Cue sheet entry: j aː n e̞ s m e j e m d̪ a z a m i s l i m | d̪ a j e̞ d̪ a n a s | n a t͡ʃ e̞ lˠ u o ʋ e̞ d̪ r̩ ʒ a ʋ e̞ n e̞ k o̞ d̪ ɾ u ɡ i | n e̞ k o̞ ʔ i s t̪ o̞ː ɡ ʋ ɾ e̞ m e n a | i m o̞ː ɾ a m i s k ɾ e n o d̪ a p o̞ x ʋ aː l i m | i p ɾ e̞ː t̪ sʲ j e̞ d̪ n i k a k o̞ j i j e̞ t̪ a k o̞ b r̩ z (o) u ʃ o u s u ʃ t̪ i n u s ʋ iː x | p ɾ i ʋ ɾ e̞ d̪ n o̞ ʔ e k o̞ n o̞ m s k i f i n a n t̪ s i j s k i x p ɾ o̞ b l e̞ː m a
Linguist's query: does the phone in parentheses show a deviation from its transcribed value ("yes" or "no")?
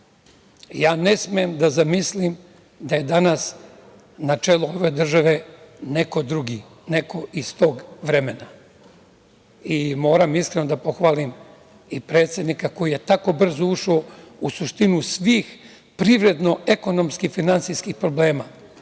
no